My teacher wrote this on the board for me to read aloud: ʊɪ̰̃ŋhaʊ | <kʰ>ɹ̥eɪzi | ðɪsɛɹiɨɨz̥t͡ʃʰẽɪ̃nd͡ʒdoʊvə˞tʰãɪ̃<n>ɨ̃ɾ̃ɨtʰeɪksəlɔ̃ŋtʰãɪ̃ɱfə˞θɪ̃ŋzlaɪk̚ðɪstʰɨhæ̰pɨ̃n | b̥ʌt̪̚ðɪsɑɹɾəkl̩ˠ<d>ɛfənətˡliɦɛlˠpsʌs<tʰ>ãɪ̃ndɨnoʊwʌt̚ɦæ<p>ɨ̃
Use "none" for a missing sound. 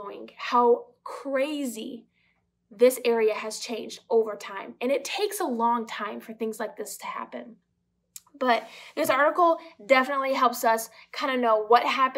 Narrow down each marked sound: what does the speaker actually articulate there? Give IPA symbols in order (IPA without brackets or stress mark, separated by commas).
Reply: kʰ, m, d, kʰ, p